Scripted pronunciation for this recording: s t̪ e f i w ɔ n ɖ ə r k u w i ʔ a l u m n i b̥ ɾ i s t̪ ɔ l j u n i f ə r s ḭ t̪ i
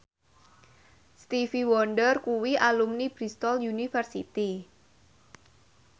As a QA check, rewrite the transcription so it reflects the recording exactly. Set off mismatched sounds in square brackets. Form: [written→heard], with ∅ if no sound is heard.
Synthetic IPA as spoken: s t̪ [e→i] f i w ɔ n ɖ ə r k u w i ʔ a l u m n i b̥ ɾ i s t̪ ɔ l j u n i f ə r s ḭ t̪ i